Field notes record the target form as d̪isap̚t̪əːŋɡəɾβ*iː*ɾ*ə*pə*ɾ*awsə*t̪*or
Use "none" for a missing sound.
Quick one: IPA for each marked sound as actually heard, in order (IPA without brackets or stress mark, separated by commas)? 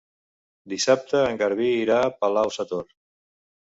iː, a, l, t̪